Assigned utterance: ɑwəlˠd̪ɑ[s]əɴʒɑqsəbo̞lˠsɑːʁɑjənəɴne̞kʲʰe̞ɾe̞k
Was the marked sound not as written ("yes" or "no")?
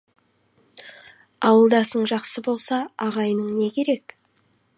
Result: no